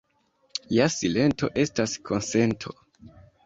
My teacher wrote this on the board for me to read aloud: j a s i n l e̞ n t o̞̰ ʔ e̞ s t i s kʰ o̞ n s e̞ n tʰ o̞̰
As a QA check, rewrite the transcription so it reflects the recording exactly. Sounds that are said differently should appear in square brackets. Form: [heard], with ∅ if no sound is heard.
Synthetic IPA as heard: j a s i [∅] l e̞ n t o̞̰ ʔ e̞ s t [a] s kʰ o̞ n s e̞ n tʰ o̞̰